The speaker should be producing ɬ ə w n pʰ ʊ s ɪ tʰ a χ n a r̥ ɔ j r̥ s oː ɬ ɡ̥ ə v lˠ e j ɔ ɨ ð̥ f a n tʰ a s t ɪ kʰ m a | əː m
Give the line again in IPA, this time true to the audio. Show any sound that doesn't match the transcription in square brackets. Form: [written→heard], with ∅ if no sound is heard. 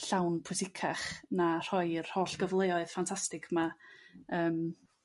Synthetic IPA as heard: ɬ [ə→a] w n pʰ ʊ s ɪ [tʰ→kʰ] a χ n a r̥ ɔ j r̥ [s→h] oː ɬ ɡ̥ ə v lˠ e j ɔ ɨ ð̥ f a n tʰ a s t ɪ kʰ m a | əː m

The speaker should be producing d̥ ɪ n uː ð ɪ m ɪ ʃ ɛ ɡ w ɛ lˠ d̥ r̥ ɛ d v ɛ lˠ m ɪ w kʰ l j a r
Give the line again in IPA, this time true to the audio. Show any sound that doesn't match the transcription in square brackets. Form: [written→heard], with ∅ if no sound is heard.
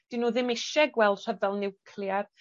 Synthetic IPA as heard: d̥ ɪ n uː ð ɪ m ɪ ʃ ɛ ɡ w ɛ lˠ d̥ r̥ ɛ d v ɛ lˠ [m→n] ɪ w kʰ l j a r

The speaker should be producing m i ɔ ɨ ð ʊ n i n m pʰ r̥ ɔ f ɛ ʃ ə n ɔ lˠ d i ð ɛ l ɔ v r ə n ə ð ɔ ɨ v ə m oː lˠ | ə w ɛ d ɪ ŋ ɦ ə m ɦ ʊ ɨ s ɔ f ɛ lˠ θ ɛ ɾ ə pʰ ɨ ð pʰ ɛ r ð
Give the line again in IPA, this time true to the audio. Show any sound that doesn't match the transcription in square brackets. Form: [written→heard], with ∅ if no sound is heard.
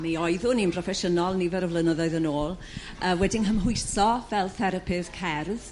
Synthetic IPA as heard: m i ɔ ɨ ð ʊ n i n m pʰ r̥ ɔ f ɛ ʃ ə n ɔ lˠ [d→n] i [ð→v] ɛ [l→ɾ] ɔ v [r→l] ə n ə ð ɔ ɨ [v→ð] ə [m→n] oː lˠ | ə w ɛ d ɪ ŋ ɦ ə m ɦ ʊ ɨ s ɔ [f→v] ɛ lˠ θ ɛ ɾ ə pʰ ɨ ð [pʰ→kʰ] ɛ r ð

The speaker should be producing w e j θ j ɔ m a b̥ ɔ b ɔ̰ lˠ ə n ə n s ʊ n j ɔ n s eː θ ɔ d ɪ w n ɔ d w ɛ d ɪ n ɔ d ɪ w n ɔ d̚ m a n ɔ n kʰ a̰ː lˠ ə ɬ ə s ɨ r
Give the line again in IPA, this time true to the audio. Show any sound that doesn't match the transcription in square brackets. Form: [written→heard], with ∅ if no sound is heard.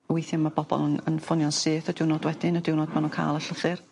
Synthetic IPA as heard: w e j θ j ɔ m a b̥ ɔ b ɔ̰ lˠ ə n ə n [s→f] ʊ n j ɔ n s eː θ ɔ d ɪ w n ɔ d w ɛ d ɪ n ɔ d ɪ w n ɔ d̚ m a n [ɔ→u] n kʰ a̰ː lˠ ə ɬ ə [s→θ] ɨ r

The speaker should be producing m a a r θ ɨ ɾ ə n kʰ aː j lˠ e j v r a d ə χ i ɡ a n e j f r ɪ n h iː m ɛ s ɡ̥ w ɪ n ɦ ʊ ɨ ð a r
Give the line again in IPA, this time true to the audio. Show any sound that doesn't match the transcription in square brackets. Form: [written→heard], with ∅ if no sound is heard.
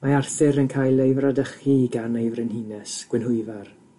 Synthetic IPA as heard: m a a r θ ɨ ɾ ə n kʰ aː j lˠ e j v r a d ə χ i ɡ a n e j [f→v] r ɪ n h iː [m→n] ɛ s ɡ̥ w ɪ n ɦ ʊ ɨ [ð→v] a r

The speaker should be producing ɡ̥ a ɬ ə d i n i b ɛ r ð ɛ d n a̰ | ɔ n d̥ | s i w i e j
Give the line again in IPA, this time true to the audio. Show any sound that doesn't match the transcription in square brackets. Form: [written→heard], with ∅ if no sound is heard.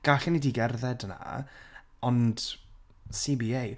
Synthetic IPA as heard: ɡ̥ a ɬ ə [d→n] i [n→d] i [b→ɡ] ɛ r ð ɛ d n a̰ | ɔ n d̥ | s i [w→b] i e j

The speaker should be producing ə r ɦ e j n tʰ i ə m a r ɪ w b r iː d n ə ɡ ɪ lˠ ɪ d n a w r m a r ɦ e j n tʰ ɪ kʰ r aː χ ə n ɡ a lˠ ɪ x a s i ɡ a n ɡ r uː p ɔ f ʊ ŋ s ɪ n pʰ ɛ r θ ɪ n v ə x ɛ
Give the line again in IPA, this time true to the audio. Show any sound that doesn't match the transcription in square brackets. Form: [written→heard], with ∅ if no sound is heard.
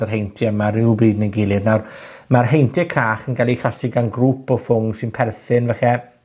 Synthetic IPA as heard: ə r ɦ e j n tʰ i ə m a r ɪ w b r iː d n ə ɡ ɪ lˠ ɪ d n a w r m a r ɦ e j n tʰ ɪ kʰ r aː χ ə n ɡ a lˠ [ɪ→i] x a s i ɡ a n ɡ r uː p ɔ f ʊ ŋ s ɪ n pʰ ɛ r θ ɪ n v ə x ɛ

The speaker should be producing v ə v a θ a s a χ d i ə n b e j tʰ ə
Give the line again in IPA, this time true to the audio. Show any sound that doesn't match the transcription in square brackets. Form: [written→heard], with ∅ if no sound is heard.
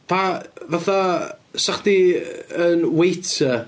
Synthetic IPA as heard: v [ə→a] v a θ a s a χ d i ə n [b→w] e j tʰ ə

